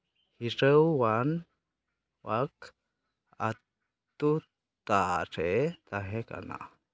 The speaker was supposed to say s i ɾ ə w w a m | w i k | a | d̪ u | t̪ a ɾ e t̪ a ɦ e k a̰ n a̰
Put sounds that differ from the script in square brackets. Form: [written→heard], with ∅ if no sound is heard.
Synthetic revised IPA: [s→h] i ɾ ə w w a [m→n] | w [i→a] k | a | [d̪→t̪] u | t̪ a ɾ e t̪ a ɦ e k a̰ n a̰